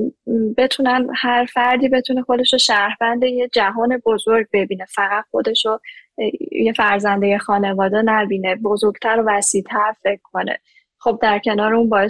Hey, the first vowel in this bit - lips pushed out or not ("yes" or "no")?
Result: no